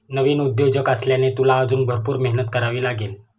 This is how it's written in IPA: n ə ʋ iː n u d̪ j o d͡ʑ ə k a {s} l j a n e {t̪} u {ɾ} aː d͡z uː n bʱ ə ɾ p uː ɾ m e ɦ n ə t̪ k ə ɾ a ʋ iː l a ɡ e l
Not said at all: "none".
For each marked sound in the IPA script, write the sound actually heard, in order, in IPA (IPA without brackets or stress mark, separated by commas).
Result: s, t̪, l